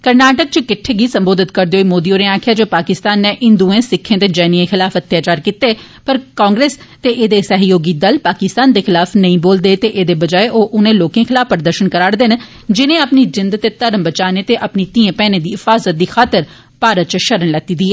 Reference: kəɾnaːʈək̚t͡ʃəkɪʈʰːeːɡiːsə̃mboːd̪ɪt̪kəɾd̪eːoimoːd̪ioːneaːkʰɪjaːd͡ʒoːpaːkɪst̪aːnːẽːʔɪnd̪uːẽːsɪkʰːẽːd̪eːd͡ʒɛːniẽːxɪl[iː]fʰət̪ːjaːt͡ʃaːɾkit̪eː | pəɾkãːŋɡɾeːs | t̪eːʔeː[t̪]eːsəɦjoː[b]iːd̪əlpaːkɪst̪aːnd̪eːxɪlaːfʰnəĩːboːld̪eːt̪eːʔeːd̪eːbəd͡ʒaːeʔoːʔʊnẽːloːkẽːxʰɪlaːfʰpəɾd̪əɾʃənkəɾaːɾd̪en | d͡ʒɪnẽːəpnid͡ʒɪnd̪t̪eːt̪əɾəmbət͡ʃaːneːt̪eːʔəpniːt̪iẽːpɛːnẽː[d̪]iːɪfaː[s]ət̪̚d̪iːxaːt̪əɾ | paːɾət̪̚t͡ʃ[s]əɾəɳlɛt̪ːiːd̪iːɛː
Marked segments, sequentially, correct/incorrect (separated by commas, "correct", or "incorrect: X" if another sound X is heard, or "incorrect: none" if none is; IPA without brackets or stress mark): incorrect: aː, incorrect: d̪, incorrect: ɡ, correct, incorrect: z, incorrect: ʃ